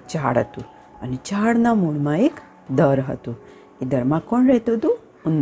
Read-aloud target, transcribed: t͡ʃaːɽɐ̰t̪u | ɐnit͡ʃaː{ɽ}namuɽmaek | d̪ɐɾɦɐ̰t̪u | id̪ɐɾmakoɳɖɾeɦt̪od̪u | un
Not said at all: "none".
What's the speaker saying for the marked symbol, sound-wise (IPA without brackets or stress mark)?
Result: ɽ